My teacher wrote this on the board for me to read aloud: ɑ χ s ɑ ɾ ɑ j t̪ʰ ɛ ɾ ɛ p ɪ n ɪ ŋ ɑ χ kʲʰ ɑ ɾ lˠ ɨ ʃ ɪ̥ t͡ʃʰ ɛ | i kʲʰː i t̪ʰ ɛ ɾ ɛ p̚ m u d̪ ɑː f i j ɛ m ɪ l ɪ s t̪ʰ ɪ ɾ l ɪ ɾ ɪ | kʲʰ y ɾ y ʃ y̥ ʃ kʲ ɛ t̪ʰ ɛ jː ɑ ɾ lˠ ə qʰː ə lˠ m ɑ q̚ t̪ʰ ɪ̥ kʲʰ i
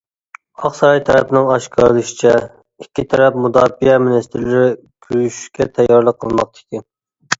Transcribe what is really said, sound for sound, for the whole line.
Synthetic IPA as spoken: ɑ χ s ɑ ɾ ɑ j t̪ʰ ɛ ɾ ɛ p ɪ n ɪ ŋ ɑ ʃ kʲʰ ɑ ɾ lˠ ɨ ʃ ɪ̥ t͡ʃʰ ɛ | i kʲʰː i t̪ʰ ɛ ɾ ɛ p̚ m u d̪ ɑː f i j ɛ m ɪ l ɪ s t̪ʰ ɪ ɾ l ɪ ɾ ɪ | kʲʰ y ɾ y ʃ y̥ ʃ kʲ ɛ t̪ʰ ɛ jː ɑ ɾ lˠ ə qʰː ə lˠ m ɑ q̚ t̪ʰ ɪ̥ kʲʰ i

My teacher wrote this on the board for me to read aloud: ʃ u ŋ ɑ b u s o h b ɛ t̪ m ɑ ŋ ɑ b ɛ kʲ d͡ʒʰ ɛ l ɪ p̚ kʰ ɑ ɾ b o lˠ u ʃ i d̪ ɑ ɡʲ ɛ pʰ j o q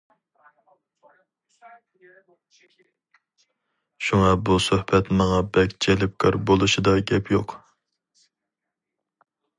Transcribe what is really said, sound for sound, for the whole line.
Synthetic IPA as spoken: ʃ u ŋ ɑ b u s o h b ɛ t̪ m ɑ ŋ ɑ b ɛ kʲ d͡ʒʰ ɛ l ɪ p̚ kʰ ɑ ɾ b o lˠ u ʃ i d̪ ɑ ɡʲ ɛ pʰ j o q

